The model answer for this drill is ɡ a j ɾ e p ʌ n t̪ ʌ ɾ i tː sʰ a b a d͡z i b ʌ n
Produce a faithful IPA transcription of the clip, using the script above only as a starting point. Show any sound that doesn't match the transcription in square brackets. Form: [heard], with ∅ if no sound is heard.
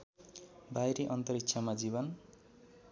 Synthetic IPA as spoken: [b] a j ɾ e [ʔ] ʌ n t̪ ʌ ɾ i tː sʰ a [m] a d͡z i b ʌ n